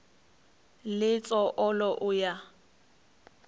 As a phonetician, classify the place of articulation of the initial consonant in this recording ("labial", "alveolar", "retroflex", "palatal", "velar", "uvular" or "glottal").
alveolar